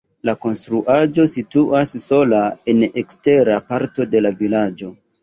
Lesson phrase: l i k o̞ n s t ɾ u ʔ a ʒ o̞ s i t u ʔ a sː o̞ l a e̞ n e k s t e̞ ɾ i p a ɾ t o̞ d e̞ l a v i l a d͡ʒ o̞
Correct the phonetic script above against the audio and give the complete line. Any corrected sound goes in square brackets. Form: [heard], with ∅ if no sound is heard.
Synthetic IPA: l [a] k o̞ n s t ɾ u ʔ a [d͡ʒ] o̞ s i t u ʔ a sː o̞ l a e̞ n e k s t e̞ ɾ [a] p a ɾ t o̞ d e̞ l a v i l a d͡ʒ o̞